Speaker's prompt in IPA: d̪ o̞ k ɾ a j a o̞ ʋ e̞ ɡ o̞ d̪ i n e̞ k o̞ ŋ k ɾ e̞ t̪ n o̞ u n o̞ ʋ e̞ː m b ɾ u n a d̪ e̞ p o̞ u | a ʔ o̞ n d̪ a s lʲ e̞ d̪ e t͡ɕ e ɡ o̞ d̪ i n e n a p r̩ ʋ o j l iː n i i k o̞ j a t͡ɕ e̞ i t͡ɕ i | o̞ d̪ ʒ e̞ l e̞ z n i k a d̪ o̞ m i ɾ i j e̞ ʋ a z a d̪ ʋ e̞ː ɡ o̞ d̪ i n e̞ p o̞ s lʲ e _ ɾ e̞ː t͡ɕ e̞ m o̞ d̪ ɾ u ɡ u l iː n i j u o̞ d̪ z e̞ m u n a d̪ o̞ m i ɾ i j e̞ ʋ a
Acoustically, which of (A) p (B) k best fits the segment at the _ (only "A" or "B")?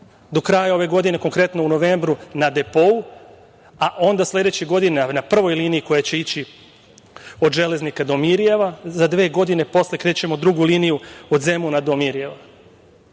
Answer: B